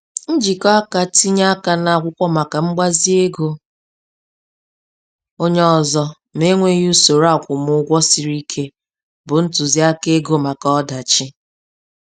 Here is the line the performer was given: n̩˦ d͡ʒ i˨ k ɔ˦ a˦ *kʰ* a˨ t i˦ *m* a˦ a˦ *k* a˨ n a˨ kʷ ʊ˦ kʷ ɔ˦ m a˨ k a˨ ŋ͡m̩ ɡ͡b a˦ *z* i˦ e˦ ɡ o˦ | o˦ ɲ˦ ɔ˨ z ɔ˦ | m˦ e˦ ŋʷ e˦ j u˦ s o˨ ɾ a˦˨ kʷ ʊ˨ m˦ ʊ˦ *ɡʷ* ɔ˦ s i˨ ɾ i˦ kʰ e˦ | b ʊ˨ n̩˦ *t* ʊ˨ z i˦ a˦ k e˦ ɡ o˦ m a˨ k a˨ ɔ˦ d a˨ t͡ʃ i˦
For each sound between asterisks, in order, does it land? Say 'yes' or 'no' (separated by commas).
no, no, yes, yes, yes, yes